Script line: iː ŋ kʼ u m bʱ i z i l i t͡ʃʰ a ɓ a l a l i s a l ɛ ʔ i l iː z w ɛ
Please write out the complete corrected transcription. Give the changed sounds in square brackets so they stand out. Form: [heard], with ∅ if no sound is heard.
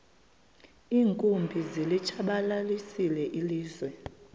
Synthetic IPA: iː ŋ kʼ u m bʱ i z i l i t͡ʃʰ a ɓ a l a l i s [i] l ɛ ʔ i l iː z w ɛ